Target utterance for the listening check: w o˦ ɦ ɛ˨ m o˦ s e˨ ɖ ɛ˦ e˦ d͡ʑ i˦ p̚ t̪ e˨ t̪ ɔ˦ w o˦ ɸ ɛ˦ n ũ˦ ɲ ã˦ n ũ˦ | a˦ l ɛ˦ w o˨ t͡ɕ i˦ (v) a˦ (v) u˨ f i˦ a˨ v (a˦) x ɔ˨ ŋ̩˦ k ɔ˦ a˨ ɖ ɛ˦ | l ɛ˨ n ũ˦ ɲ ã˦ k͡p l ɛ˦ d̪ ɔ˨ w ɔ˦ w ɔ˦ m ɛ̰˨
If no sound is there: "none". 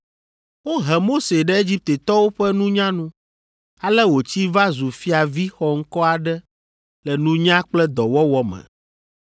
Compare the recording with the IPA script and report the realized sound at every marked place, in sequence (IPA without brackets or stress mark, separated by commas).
v, z, i˦